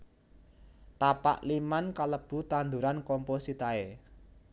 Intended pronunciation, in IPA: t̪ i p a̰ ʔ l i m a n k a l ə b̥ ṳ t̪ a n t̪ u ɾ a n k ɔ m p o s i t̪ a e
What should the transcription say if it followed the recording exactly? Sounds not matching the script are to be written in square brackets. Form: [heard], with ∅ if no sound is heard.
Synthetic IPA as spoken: t̪ [a] p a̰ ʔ l i m a n k a l ə b̥ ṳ t̪ a n [d̪] u ɾ a n k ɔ m p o s i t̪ a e